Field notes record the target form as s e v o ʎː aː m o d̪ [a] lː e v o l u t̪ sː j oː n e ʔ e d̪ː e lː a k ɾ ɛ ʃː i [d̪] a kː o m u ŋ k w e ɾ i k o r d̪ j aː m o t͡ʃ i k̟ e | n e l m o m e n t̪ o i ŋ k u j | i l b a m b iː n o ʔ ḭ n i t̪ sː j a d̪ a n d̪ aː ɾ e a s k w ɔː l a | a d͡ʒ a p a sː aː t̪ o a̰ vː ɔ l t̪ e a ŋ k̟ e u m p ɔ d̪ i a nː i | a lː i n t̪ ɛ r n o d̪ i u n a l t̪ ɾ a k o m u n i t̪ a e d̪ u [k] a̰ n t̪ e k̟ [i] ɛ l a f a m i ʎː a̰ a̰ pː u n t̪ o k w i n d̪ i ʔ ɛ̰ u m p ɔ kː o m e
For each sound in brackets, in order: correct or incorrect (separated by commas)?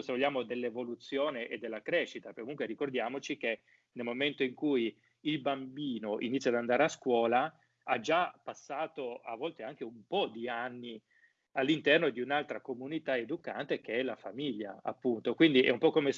incorrect, incorrect, correct, incorrect